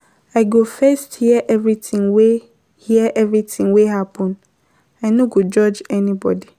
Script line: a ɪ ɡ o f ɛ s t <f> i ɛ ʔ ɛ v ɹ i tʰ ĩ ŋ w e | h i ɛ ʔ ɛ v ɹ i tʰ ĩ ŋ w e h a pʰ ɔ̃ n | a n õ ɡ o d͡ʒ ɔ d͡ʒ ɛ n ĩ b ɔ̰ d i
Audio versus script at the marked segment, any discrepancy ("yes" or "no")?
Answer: yes